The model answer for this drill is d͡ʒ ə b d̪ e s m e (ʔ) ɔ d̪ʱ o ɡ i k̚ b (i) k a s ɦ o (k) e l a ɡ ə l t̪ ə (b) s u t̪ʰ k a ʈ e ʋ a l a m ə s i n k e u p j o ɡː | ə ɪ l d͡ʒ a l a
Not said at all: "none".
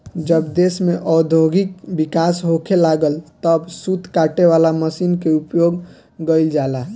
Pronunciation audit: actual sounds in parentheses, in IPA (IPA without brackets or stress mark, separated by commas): ʔ, i, kʰ, b